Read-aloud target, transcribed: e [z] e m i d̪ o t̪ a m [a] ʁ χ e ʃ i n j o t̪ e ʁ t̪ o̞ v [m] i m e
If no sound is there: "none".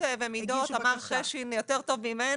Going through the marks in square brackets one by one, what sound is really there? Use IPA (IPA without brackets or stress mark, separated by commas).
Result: v, a, m